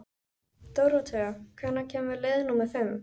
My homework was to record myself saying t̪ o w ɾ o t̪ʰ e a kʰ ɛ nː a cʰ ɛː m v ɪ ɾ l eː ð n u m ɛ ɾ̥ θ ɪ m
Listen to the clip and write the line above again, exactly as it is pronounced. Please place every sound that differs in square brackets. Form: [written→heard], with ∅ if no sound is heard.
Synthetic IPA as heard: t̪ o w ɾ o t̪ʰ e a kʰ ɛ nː a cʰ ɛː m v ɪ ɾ l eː ð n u m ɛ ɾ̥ [θ→f] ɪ m